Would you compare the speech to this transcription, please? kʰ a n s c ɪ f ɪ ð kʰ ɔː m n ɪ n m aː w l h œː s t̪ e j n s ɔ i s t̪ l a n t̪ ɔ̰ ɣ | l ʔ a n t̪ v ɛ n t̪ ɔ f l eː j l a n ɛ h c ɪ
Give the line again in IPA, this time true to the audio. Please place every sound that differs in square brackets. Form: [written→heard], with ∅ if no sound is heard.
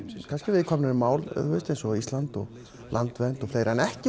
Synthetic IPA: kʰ a n s c ɪ [f→v] ɪ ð kʰ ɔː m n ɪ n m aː w l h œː s t̪ e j n s ɔ i s t̪ l a n t̪ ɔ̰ ɣ | l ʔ a n t̪ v ɛ n t̪ ɔ f l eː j [l→ɾ] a n ɛ h c ɪ